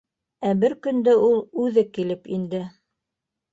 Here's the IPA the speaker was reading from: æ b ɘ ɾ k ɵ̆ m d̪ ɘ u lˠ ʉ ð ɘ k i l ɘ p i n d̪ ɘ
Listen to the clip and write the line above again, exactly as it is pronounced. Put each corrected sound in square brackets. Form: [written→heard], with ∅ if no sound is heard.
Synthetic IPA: æ b ɘ ɾ k ɵ̆ [m→n] d̪ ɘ u lˠ ʉ ð ɘ k i l ɘ p i n d̪ ɘ